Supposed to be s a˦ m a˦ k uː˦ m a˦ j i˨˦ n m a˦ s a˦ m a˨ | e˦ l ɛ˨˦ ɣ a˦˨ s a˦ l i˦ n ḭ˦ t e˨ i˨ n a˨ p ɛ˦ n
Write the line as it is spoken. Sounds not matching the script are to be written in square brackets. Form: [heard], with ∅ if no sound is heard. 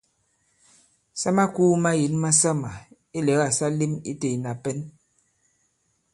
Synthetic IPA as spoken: s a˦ m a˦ k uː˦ m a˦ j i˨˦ n m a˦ s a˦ m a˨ | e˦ l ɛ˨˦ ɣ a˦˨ s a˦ l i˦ [m] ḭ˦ t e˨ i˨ n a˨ p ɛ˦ n